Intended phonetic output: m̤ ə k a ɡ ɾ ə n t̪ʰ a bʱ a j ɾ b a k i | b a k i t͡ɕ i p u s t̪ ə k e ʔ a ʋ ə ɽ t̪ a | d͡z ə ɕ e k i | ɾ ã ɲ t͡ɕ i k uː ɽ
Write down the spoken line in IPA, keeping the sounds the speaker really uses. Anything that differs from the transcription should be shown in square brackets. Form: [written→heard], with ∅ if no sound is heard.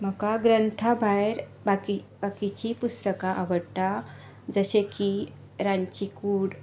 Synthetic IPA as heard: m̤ ə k a ɡ ɾ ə n t̪ʰ a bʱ a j ɾ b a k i | b a k i t͡ɕ i p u s t̪ ə k [e→a] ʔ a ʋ ə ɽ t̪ a | d͡z ə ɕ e k i | ɾ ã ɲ t͡ɕ i k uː ɽ